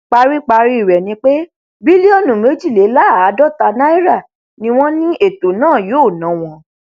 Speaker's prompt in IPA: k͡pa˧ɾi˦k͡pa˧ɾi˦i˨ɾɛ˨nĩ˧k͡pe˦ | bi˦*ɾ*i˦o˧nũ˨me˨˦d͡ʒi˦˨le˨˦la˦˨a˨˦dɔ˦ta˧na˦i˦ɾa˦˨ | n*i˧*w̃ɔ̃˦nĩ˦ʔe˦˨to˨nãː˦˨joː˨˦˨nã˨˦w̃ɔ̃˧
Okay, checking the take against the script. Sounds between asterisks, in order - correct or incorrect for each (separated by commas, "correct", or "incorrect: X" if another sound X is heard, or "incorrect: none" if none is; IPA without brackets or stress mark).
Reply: incorrect: l, incorrect: ĩ˧